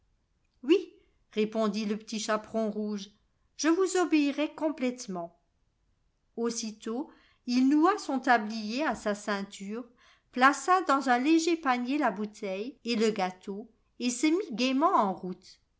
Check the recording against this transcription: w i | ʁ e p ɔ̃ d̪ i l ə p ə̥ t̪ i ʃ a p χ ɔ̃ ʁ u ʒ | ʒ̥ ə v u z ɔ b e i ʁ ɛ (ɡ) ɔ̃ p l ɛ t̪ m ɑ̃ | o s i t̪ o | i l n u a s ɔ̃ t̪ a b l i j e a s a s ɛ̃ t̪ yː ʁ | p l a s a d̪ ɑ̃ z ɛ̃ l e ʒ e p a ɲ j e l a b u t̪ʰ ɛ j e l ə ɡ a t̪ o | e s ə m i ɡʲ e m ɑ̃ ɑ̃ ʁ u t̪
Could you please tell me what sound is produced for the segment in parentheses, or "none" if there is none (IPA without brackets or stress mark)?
k